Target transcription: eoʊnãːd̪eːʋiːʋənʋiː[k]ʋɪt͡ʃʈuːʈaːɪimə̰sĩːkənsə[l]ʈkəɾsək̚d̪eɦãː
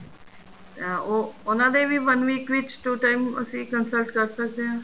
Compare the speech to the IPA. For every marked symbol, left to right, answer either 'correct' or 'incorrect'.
correct, correct

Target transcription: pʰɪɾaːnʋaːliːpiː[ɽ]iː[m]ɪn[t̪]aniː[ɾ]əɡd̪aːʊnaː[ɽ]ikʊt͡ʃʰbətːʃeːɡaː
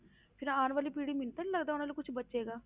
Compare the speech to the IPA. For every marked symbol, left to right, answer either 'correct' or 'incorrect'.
correct, correct, correct, incorrect: l, incorrect: l

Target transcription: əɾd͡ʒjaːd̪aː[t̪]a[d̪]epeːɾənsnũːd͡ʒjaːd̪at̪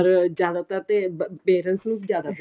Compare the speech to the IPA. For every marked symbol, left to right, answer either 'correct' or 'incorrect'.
correct, incorrect: t̪

